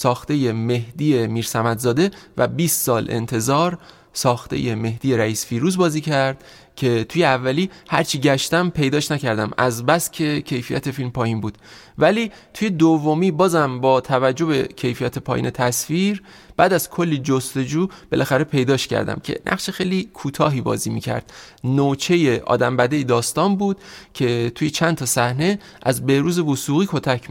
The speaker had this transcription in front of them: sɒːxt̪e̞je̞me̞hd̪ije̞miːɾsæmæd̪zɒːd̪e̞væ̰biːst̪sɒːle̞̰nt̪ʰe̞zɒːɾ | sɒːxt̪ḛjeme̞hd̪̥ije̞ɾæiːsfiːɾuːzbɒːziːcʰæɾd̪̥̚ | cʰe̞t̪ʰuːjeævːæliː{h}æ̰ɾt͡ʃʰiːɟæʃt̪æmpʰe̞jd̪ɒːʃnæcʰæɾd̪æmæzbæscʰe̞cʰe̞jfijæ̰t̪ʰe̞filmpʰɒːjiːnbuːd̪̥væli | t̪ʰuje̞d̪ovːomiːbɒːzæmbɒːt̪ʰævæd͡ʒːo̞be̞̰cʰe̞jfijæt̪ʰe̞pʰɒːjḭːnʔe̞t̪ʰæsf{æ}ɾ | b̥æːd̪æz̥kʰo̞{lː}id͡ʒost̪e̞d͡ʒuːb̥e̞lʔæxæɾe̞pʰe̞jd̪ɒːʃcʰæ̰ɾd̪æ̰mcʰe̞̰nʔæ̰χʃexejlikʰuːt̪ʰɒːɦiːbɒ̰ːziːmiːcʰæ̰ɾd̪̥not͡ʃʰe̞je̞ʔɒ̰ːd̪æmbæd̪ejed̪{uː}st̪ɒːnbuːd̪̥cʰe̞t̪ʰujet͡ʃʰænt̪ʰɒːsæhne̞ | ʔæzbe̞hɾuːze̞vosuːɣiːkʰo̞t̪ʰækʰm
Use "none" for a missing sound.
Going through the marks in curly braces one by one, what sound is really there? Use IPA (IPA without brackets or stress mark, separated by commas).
h, i, lː, ɒː